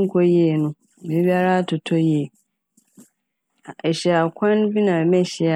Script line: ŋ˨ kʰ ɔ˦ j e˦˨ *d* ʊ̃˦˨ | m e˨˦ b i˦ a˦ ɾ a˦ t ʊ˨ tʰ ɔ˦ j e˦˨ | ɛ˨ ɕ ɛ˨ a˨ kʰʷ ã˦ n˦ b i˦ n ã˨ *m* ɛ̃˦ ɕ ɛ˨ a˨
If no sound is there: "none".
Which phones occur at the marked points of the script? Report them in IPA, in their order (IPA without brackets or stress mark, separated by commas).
n, m